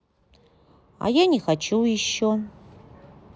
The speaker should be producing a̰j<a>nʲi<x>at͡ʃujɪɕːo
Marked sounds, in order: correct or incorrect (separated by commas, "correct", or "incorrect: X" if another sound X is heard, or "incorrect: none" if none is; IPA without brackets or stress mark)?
correct, correct